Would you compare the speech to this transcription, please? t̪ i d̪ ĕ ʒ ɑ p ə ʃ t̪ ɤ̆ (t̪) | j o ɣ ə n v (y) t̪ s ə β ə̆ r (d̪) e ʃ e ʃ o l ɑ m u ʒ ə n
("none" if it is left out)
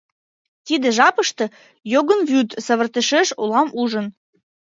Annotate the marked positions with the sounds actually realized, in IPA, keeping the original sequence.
none, y, t̪

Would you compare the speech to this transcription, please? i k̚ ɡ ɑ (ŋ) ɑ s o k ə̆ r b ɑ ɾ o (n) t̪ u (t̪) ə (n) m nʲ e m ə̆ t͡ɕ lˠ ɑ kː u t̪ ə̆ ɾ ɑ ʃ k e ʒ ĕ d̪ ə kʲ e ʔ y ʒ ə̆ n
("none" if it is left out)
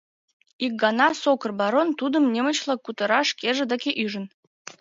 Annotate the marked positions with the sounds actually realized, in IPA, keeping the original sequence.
n, n, d̪, none

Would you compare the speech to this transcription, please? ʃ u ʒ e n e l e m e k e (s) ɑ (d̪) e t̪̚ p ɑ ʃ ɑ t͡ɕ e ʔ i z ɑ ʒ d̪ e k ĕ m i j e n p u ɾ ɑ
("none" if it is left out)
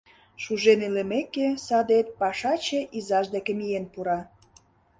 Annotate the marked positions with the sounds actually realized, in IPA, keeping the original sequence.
s, d̪

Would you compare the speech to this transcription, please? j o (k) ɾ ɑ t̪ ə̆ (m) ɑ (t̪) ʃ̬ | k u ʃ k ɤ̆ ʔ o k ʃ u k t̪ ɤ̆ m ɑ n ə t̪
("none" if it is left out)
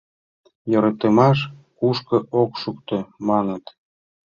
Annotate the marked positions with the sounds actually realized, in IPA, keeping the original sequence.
none, m, none

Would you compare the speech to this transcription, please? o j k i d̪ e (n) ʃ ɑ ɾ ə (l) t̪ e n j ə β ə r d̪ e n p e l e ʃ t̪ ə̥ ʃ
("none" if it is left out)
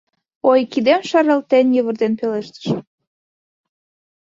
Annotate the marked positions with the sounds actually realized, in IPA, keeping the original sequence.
m, l

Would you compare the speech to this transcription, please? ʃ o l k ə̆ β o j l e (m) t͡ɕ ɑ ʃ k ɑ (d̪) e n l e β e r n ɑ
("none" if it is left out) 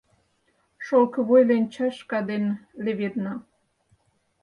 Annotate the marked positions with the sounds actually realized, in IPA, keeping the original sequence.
n, d̪

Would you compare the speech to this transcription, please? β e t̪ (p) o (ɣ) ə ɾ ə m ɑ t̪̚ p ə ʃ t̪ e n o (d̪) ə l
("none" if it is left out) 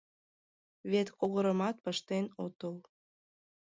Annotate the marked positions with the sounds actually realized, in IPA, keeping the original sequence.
k, ɣ, t̪

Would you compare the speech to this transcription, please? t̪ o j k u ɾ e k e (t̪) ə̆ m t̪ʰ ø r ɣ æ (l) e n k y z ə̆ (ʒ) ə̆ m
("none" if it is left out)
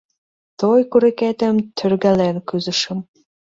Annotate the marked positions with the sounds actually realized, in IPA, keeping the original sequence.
t̪, l, ʃ

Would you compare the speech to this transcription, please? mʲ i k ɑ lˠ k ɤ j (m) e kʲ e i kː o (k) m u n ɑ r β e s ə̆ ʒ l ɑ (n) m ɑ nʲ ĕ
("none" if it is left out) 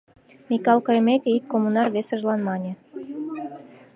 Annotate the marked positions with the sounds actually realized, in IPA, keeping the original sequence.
m, none, n

